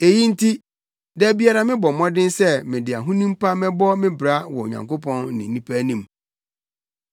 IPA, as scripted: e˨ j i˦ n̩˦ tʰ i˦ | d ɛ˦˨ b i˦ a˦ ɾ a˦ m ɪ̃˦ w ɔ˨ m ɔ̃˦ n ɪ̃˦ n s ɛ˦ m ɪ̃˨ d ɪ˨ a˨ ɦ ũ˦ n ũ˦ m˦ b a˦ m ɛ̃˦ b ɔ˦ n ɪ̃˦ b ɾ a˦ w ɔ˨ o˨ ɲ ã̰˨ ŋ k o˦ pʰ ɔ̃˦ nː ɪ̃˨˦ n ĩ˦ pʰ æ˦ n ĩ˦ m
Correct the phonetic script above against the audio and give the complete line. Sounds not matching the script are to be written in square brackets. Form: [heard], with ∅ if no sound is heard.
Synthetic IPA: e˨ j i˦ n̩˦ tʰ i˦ | d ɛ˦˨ b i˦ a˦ ɾ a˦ m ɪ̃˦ [b] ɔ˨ m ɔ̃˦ [d] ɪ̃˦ n s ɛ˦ m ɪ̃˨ d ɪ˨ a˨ ɦ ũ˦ n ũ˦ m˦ [p] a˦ m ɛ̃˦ b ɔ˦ [m] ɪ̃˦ b ɾ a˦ w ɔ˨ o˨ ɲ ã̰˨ ŋ k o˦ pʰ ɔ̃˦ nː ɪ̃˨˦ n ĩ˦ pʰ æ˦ n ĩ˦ m